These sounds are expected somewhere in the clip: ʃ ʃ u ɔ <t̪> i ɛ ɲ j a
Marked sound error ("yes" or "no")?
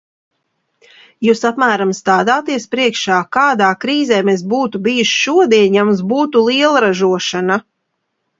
yes